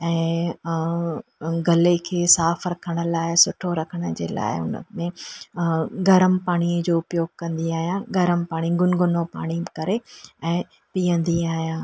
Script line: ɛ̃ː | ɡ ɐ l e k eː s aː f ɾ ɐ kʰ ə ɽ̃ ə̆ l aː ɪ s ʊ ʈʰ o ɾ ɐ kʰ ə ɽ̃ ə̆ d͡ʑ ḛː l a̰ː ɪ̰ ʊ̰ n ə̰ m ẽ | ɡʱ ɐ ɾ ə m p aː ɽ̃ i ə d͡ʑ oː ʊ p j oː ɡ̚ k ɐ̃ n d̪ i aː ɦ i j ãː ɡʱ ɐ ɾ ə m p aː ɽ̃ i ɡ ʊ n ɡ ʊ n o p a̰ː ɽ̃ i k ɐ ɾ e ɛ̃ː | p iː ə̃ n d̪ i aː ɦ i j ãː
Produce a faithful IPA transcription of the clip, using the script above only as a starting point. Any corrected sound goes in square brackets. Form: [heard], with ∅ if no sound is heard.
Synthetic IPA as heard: ɛ̃ː | ɡ ɐ l e [kʰ] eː s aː f ɾ ɐ kʰ ə ɽ̃ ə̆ l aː ɪ s ʊ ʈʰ o ɾ ɐ kʰ ə ɽ̃ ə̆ d͡ʑ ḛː l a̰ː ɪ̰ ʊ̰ n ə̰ m ẽ | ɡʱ ɐ ɾ ə m p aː ɽ̃ i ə d͡ʑ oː ʊ p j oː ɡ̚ k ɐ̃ n d̪ i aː ɦ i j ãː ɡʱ ɐ ɾ ə m p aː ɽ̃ i ɡ ʊ n ɡ ʊ n o p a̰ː ɽ̃ i k ɐ ɾ e ɛ̃ː | p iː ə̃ n d̪ i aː ɦ i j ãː

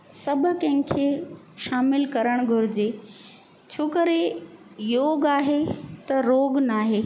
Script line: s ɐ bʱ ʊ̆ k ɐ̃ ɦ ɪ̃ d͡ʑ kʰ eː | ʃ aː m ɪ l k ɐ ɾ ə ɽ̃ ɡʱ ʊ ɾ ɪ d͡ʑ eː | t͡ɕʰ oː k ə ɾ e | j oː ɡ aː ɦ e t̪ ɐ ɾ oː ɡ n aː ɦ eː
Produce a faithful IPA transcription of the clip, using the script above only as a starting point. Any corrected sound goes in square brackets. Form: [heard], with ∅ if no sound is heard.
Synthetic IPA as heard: s ɐ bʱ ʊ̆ k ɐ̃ ɦ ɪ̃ [∅] kʰ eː | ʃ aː m ɪ l k ɐ ɾ ə ɽ̃ ɡʱ ʊ ɾ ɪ d͡ʑ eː | t͡ɕʰ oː k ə ɾ e | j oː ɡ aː ɦ e t̪ ɐ ɾ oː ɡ n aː ɦ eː

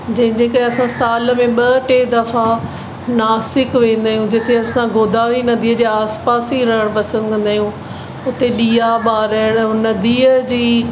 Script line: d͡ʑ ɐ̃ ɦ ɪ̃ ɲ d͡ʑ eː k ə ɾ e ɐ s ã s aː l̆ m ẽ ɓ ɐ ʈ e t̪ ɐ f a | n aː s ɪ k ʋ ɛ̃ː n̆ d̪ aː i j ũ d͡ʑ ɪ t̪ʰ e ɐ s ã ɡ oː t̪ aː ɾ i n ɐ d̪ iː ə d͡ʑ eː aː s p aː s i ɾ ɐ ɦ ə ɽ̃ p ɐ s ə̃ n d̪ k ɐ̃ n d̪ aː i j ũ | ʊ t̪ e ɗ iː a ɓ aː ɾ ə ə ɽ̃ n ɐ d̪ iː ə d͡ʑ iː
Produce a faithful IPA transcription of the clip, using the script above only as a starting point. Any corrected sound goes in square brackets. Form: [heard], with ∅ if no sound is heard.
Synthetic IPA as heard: d͡ʑ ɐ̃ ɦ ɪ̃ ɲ d͡ʑ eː k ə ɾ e ɐ s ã s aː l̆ m ẽ ɓ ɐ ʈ e [d̪] ɐ f a | n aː s ɪ k ʋ [ẽː] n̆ d̪ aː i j ũ d͡ʑ ɪ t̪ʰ e ɐ s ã ɡ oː [d̪] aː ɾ i n ɐ d̪ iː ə d͡ʑ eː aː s p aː s i ɾ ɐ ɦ ə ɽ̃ p ɐ s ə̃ n d̪ k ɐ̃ n d̪ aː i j ũ | ʊ t̪ e ɗ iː a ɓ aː ɾ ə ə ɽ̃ n ɐ d̪ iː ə d͡ʑ iː

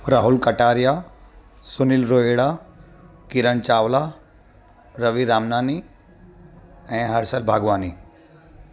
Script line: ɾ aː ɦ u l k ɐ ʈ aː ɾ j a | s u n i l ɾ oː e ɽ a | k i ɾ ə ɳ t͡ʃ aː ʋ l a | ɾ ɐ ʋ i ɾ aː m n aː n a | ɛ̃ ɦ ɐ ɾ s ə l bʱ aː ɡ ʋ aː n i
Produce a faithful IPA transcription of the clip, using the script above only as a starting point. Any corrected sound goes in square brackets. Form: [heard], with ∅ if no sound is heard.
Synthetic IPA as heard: ɾ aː ɦ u l k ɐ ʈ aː ɾ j a | s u n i l ɾ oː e ɽ a | k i ɾ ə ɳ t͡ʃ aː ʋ l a | ɾ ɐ ʋ i ɾ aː m n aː n [i] | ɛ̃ ɦ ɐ ɾ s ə l bʱ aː ɡ ʋ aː n i

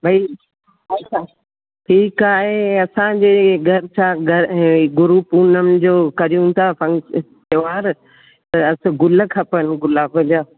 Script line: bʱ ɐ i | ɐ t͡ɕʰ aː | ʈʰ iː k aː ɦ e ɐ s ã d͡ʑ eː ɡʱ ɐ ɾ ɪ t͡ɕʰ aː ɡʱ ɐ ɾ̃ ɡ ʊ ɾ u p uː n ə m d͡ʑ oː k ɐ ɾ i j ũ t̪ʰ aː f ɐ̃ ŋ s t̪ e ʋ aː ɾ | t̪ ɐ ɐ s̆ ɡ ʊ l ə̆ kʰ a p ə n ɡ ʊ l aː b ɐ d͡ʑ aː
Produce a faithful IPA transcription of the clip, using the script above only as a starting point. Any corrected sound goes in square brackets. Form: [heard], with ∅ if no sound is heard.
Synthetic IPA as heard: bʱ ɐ i | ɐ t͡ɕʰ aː | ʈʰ iː k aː ɦ e ɐ s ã d͡ʑ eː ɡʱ ɐ ɾ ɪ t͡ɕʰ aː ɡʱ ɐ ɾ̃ ɡ ʊ ɾ u p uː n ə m d͡ʑ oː k ɐ ɾ i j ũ t̪ʰ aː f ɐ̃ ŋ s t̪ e ʋ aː ɾ | t̪ ɐ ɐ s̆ ɡ ʊ l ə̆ kʰ a p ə n ɡ ʊ l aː b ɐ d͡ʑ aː

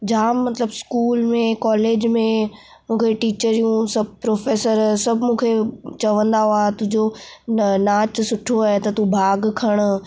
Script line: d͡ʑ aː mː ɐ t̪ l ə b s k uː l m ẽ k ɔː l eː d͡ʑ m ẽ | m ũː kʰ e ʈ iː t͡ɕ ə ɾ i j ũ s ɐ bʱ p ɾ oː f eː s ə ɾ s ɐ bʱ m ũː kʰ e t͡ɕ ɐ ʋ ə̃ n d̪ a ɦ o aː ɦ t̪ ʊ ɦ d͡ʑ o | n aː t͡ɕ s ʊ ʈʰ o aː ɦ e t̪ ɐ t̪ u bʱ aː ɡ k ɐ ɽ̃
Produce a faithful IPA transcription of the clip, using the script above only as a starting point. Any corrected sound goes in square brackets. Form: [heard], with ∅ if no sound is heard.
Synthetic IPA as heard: d͡ʑ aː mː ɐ t̪ l ə b s k uː l m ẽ k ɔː l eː d͡ʑ m ẽ | m ũː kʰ e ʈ iː t͡ɕ ə ɾ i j ũ s ɐ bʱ p ɾ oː f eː s ə ɾ s ɐ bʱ m ũː kʰ e t͡ɕ ɐ ʋ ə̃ n d̪ a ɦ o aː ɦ t̪ ʊ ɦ d͡ʑ o | n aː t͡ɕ s ʊ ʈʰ o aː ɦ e t̪ ɐ t̪ u bʱ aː ɡ [kʰ] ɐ ɽ̃

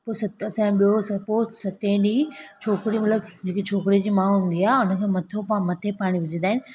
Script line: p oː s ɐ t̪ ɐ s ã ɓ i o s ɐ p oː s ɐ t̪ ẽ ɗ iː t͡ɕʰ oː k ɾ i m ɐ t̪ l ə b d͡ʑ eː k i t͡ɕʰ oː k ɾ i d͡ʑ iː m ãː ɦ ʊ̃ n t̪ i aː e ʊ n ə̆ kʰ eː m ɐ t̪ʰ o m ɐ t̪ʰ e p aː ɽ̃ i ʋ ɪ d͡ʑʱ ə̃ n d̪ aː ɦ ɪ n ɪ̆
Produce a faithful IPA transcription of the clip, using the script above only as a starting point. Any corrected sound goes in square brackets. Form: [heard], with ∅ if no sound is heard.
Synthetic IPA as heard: p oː s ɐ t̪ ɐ s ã ɓ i o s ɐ p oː s ɐ t̪ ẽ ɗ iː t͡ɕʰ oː k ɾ i m ɐ t̪ l ə b d͡ʑ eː k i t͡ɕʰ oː k ɾ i d͡ʑ iː m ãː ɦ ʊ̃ n [d̪] i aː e ʊ n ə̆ kʰ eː m ɐ t̪ʰ o m ɐ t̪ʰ e p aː ɽ̃ i ʋ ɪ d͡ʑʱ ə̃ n d̪ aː ɦ ɪ n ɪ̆

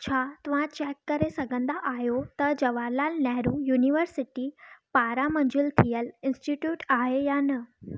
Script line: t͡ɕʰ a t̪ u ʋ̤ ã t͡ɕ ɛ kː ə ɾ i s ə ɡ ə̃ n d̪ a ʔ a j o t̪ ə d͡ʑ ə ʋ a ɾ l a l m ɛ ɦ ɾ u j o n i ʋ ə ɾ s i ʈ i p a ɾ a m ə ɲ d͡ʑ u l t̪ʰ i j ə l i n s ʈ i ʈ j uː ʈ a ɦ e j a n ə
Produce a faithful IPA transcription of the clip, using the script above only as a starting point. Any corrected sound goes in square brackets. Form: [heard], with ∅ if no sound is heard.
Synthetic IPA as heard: t͡ɕʰ a t̪ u ʋ̤ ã t͡ɕ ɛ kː ə ɾ [e] s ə ɡ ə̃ n d̪ a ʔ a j o t̪ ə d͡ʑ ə ʋ a ɾ l a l [n] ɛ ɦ ɾ u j [u] n i ʋ ə ɾ s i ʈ i p a ɾ a m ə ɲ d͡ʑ u l t̪ʰ i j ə l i n s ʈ i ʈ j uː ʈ a ɦ e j a n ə

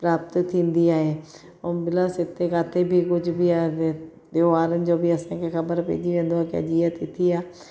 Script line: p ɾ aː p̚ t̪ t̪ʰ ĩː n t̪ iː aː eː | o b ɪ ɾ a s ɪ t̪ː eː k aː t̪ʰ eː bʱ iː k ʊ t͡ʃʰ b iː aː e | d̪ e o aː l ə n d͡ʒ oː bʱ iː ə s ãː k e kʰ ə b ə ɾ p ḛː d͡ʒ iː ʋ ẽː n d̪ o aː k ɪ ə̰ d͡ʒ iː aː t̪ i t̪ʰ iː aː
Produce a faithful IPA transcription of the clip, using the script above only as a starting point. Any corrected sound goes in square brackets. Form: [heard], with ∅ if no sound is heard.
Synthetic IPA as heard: p ɾ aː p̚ t̪ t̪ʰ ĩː n [d̪] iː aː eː | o b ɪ [l] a s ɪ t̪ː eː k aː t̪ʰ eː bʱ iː k ʊ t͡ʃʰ b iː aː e | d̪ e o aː [ɾ] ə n d͡ʒ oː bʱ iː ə s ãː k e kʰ ə b ə ɾ p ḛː d͡ʒ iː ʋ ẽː n d̪ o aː k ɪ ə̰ d͡ʒ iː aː t̪ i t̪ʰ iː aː

